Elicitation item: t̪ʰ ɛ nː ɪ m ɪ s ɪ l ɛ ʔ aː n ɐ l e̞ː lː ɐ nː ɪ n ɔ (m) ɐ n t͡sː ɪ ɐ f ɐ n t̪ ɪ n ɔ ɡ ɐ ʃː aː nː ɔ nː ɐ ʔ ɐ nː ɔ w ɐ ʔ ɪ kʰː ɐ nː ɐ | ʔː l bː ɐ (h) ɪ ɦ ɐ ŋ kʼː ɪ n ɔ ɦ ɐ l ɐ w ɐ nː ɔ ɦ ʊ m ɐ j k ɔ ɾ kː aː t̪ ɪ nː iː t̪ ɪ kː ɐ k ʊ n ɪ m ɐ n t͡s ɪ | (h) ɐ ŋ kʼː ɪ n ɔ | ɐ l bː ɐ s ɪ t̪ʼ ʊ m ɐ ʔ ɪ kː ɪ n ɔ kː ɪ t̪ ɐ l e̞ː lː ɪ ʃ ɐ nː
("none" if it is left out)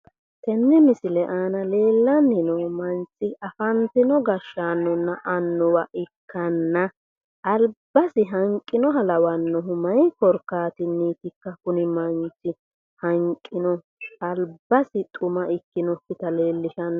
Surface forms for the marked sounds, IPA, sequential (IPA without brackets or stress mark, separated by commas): m, s, h